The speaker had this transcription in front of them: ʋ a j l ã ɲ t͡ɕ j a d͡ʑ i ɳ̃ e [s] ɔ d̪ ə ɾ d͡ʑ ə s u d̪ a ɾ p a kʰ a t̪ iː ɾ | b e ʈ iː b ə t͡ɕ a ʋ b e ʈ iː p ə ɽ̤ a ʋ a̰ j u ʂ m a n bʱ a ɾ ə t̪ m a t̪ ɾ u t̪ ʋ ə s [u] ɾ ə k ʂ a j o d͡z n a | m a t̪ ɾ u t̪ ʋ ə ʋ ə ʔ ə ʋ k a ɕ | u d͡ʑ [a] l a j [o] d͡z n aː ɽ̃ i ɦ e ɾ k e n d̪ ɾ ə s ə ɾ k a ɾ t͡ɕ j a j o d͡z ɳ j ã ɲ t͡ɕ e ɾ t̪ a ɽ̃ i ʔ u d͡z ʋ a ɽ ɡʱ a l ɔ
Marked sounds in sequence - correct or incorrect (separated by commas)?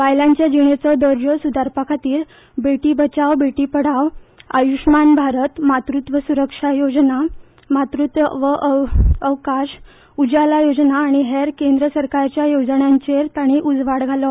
incorrect, correct, correct, correct